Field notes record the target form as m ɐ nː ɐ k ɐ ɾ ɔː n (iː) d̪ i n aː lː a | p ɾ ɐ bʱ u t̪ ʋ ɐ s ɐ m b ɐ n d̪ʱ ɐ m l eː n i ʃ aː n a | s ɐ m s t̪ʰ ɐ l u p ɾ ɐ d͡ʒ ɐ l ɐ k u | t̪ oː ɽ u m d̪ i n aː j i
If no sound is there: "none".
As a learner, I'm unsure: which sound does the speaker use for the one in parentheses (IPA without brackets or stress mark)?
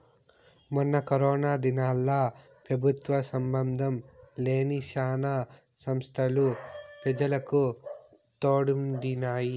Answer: aː